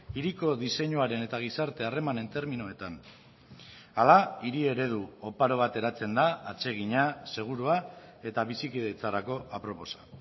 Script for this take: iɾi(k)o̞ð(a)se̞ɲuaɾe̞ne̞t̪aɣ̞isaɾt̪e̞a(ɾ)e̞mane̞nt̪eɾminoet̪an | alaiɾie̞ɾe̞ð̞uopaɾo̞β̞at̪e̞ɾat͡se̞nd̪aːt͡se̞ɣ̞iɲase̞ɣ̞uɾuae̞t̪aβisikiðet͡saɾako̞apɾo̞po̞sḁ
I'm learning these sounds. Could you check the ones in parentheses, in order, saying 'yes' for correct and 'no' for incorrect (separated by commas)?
yes, no, no